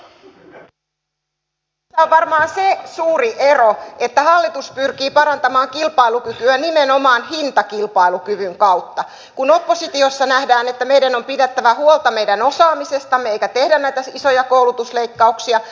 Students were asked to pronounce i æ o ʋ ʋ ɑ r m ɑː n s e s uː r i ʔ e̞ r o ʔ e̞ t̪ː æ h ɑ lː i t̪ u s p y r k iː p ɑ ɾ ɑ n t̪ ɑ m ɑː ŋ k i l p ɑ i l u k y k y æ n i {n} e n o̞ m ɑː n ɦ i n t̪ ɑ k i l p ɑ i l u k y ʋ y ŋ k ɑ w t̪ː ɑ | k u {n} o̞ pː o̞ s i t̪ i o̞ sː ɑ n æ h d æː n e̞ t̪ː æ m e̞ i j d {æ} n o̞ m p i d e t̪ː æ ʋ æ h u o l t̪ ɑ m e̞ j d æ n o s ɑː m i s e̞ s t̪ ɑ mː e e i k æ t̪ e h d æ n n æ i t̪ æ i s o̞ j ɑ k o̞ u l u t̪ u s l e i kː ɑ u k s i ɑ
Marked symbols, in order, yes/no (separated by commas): no, yes, yes